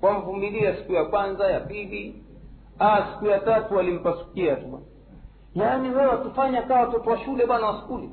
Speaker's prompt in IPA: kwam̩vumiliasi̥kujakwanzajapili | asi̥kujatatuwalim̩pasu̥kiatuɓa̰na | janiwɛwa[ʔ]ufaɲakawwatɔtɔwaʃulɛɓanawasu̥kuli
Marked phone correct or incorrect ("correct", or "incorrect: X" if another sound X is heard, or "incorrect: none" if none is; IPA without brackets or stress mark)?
incorrect: t